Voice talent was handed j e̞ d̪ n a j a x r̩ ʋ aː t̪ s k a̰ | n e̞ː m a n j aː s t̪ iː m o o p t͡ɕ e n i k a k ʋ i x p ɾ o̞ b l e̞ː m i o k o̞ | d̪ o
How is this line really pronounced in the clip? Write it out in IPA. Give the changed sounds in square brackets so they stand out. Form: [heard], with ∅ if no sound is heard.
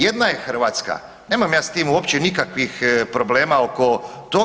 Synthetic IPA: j e̞ d̪ n a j [e] x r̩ ʋ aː t̪ s k a̰ | n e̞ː m a [m] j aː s t̪ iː m [u] o p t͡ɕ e n i k a k ʋ i x p ɾ o̞ b l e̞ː m [a] o k o̞ | [t̪] o